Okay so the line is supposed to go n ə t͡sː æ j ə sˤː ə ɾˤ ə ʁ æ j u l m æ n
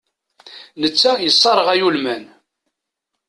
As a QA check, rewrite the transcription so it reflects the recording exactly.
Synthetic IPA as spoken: n ə t͡sː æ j ə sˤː ɑ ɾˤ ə ʁ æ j u l m æ n